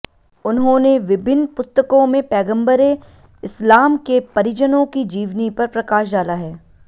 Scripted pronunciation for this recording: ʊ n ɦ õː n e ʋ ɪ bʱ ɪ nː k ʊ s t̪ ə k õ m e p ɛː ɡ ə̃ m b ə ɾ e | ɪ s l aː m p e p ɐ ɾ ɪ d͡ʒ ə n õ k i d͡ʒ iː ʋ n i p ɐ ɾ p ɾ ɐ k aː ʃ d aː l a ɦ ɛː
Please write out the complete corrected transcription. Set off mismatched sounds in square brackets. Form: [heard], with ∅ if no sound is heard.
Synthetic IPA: ʊ n ɦ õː n e ʋ ɪ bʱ ɪ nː [p] ʊ s t̪ ə k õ m [ẽ] p ɛː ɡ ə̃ m b ə ɾ e | ɪ s l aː m [k] e p ɐ ɾ ɪ d͡ʒ ə n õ k i d͡ʒ iː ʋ n i p ɐ ɾ p ɾ ɐ k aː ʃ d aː l a ɦ ɛː